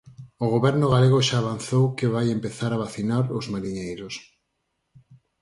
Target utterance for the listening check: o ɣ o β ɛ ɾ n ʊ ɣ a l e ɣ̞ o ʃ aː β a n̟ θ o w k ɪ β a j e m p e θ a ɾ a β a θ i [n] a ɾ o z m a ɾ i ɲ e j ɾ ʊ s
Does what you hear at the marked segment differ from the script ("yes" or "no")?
no